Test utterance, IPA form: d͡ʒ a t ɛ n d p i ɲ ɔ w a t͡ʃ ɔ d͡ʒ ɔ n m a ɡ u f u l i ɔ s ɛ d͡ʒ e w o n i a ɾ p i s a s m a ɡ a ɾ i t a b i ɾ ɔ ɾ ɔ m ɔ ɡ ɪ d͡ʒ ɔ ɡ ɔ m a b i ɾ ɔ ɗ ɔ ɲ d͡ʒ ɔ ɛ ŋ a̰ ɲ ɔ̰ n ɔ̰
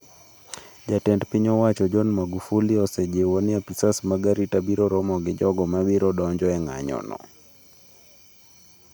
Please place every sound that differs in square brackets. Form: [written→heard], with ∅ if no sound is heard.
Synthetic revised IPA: d͡ʒ a t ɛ n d p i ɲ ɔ w a t͡ʃ ɔ d͡ʒ ɔ n m a ɡ u f u l i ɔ s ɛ d͡ʒ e w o n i a [ɾ→∅] p i s a s m a ɡ a ɾ i t a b i ɾ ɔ ɾ ɔ m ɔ ɡ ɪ d͡ʒ ɔ ɡ ɔ m a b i ɾ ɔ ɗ ɔ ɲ d͡ʒ ɔ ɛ ŋ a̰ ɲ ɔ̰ n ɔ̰